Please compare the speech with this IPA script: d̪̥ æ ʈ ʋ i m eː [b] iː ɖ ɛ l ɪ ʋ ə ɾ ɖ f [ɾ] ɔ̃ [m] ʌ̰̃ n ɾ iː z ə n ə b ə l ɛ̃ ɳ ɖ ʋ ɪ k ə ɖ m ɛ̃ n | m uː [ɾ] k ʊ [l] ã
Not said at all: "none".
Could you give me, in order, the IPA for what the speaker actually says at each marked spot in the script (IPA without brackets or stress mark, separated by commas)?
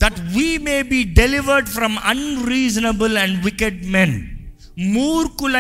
b, ɾ, m, ɾ, l